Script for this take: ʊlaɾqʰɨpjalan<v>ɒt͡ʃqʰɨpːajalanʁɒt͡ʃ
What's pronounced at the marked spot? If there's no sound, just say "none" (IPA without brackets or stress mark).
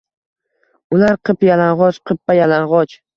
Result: ʁ